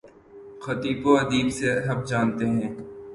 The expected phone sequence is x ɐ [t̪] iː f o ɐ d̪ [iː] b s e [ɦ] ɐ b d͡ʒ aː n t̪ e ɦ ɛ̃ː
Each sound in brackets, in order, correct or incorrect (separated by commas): correct, correct, correct